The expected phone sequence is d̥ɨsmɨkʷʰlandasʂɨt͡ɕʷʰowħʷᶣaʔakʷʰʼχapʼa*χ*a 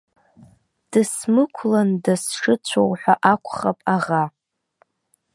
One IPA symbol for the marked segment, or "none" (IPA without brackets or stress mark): ʁ